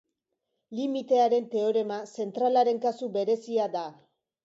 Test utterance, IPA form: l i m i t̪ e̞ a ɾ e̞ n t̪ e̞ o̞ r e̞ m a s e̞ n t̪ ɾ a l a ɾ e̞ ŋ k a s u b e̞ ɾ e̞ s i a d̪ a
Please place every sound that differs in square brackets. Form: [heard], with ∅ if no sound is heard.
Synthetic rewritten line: l i m i t̪ e̞ a ɾ e̞ n t̪ e̞ o̞ [ɾ] e̞ m a s e̞ n t̪ ɾ a l a ɾ e̞ ŋ k a s u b e̞ ɾ e̞ s i a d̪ a